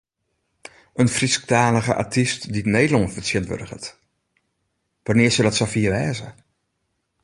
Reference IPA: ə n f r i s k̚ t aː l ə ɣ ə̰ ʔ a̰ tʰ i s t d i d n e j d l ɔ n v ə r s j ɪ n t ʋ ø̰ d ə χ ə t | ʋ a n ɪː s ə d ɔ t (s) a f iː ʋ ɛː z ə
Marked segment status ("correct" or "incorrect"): correct